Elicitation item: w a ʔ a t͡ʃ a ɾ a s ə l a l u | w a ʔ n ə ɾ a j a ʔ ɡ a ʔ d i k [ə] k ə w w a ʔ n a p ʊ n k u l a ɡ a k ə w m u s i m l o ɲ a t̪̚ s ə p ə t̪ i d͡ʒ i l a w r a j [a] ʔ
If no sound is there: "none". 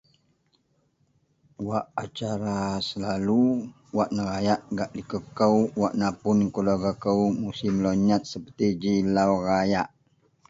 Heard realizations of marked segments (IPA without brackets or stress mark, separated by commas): ə, a